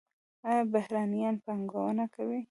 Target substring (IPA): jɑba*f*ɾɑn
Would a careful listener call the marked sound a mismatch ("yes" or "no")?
yes